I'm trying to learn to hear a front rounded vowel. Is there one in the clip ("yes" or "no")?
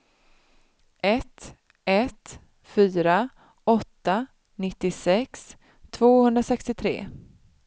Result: yes